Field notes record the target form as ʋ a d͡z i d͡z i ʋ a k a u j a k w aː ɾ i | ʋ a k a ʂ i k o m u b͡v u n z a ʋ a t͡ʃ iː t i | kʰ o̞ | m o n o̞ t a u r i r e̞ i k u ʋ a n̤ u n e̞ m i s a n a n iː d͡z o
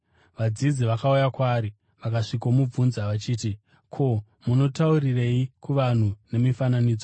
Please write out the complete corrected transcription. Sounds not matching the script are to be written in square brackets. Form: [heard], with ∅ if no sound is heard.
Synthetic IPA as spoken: ʋ a d͡z i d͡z i ʋ a k a u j a k w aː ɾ i | ʋ a k a ʂ i k o m u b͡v u n z a ʋ a t͡ʃ iː t i | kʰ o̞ | m [u] n o̞ t a u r i r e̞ i k u ʋ a n̤ u n e̞ m i [f] a n a n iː d͡z o